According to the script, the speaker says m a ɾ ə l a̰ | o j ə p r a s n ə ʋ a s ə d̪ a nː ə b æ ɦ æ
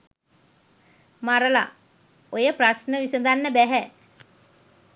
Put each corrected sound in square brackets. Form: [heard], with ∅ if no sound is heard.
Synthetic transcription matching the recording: m a ɾ ə l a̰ | o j ə p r a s n ə ʋ [i] s ə d̪ a nː ə b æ ɦ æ